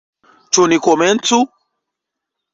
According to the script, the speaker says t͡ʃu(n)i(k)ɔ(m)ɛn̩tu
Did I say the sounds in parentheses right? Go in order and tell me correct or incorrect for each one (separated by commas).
correct, correct, correct